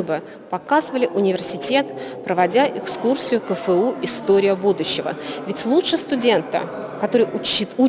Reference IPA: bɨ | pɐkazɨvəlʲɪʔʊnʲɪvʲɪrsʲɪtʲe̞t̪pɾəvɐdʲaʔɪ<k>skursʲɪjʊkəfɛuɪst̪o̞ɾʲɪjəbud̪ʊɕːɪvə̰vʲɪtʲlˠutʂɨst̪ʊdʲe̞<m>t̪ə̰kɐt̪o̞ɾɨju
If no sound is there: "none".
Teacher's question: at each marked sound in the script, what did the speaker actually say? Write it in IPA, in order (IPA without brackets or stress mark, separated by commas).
k, n